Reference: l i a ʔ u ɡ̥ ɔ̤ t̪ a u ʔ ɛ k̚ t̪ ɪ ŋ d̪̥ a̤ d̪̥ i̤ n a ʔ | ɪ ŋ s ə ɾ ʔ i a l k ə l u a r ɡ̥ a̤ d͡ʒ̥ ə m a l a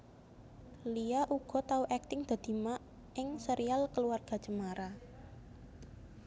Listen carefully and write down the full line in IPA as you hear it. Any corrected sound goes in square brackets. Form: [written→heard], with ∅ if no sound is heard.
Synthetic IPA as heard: l i a ʔ u ɡ̥ ɔ̤ t̪ a u ʔ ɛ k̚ t̪ ɪ ŋ d̪̥ a̤ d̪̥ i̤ [n→m] a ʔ | ɪ ŋ s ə ɾ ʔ i a l k ə l u a r ɡ̥ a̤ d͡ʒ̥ ə m a [l→ɾ] a